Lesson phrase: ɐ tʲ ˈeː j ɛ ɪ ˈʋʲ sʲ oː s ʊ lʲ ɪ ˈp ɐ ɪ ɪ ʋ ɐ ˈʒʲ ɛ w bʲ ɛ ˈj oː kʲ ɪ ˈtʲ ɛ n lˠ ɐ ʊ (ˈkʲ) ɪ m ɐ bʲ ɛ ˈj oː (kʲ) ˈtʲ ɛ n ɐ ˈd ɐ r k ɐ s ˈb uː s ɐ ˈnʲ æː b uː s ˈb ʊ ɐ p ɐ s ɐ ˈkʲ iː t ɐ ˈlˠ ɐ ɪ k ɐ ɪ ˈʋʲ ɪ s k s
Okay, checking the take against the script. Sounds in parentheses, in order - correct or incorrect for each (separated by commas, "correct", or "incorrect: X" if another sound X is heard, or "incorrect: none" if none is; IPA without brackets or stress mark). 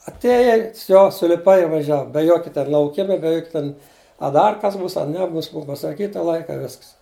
correct, correct